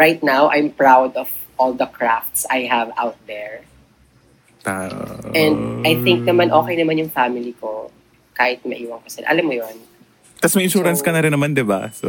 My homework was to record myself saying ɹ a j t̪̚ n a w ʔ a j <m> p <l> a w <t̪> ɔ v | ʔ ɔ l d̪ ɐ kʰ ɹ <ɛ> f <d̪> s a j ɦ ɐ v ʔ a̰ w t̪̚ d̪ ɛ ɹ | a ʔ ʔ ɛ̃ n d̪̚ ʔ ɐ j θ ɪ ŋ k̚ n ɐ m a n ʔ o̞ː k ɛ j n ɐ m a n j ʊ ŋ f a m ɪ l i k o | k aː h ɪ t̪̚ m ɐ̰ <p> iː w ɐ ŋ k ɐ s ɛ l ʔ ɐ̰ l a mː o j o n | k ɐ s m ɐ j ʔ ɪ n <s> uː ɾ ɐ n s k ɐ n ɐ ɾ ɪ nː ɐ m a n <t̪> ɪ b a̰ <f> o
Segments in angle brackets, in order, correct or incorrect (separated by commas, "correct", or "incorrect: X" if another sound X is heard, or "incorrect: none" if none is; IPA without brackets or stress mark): correct, incorrect: ɹ, incorrect: d̪, incorrect: a, incorrect: t̪, incorrect: ʔ, incorrect: ʃ, incorrect: d̪, incorrect: s